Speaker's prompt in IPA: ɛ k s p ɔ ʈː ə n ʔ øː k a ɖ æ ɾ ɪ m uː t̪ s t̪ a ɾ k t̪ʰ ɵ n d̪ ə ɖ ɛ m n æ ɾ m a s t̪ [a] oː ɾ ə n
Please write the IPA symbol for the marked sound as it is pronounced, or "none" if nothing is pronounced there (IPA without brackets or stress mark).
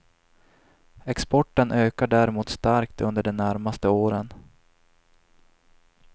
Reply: ə